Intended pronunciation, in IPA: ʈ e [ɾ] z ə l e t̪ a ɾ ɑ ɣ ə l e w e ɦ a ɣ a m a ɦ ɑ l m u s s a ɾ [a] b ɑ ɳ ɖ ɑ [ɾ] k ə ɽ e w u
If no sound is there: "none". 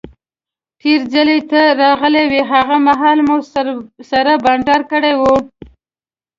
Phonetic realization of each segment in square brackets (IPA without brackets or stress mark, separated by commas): ɾ, a, ɾ